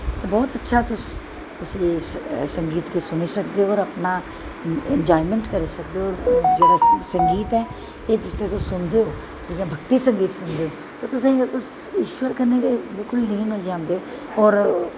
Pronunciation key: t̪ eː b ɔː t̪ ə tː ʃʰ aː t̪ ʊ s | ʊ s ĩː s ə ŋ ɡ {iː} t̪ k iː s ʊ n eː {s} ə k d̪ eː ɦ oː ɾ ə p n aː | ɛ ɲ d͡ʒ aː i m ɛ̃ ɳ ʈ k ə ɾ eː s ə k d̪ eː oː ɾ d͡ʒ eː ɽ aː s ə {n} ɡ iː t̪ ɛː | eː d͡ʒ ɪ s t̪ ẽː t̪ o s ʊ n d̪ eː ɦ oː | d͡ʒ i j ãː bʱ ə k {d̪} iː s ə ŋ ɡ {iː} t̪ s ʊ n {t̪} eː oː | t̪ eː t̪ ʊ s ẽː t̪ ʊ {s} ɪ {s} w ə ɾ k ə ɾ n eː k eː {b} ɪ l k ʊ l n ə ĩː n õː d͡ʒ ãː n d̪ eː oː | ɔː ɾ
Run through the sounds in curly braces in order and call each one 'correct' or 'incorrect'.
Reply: correct, correct, incorrect: ŋ, incorrect: t̪, correct, incorrect: d̪, correct, incorrect: ʃ, correct

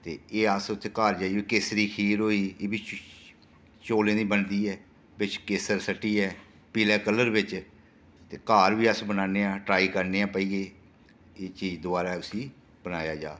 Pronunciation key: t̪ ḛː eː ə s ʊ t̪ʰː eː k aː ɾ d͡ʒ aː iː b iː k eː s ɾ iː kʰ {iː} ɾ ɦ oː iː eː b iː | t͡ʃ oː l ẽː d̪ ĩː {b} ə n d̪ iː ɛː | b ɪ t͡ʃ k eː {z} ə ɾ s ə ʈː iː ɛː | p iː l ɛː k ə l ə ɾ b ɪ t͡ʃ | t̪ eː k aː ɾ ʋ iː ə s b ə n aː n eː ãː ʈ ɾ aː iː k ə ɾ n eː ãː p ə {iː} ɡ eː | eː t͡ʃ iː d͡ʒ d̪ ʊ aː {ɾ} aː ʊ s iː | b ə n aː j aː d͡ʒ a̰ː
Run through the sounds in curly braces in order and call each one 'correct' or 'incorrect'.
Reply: correct, correct, incorrect: s, correct, correct

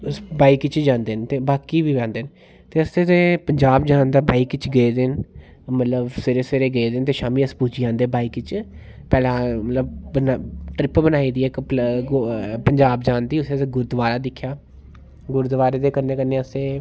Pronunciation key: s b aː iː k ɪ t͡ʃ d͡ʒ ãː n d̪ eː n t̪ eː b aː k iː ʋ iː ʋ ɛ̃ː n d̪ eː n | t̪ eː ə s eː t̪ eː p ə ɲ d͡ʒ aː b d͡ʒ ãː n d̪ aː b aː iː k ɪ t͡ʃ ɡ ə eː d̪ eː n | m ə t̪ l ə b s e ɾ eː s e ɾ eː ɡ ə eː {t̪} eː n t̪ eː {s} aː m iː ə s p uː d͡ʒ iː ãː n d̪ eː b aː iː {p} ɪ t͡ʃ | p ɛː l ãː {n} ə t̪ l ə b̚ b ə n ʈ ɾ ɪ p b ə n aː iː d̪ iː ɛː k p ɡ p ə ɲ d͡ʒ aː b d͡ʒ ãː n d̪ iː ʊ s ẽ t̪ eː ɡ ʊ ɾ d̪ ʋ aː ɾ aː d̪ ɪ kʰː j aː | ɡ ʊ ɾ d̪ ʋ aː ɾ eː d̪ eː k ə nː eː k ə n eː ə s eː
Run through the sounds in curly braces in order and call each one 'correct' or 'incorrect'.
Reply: incorrect: d̪, incorrect: ʃ, incorrect: k, incorrect: m

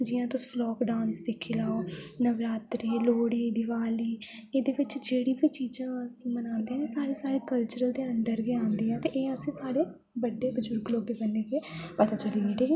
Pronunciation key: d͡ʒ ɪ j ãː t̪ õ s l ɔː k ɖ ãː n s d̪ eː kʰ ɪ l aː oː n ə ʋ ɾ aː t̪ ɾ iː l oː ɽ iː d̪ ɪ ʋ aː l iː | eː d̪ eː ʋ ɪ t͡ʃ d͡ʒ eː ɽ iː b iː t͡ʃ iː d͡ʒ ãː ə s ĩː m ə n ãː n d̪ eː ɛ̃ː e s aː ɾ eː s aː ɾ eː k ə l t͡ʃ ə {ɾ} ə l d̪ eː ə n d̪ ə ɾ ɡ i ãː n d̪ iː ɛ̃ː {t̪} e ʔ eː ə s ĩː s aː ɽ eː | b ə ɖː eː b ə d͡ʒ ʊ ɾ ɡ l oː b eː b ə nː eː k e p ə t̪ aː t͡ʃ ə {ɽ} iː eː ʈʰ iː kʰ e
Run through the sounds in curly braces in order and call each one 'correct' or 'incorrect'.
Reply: correct, correct, incorrect: l

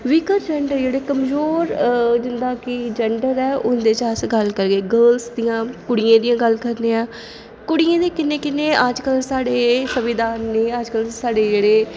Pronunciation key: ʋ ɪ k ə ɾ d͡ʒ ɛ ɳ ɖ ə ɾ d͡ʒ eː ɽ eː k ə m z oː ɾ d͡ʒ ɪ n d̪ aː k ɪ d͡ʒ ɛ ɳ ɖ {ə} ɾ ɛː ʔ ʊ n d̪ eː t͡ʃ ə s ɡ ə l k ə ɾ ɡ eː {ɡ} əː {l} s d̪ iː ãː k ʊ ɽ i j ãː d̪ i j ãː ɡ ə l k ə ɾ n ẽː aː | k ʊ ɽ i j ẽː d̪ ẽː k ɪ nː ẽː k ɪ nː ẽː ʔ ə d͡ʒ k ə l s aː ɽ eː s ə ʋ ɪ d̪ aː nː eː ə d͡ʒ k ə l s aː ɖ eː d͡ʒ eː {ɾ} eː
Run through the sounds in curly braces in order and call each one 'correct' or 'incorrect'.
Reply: correct, correct, correct, incorrect: ɽ

